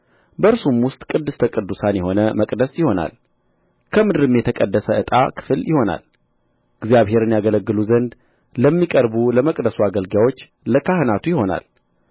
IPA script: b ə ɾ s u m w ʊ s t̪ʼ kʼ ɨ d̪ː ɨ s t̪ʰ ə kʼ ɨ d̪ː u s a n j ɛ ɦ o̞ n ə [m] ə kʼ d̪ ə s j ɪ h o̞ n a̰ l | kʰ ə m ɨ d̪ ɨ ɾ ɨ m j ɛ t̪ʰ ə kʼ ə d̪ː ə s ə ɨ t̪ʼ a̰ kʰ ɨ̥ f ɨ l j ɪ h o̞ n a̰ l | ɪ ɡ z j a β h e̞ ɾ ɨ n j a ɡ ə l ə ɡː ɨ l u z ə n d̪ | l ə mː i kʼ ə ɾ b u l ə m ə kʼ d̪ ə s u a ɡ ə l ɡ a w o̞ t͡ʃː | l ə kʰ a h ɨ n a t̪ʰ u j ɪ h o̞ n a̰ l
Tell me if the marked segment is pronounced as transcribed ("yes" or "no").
yes